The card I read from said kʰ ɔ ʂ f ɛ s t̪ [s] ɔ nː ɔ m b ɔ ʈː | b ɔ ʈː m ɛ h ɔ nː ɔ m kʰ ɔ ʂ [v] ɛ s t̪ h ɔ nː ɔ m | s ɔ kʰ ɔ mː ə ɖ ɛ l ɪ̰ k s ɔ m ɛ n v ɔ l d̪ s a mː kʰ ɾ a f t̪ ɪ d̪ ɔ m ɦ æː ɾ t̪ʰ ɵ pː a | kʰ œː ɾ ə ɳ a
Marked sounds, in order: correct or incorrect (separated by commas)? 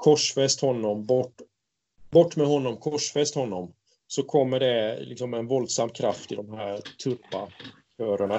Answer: incorrect, incorrect